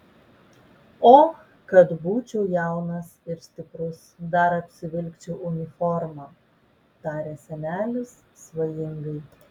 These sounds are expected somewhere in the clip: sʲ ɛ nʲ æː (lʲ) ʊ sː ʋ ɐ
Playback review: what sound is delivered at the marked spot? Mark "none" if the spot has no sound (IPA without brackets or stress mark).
lʲ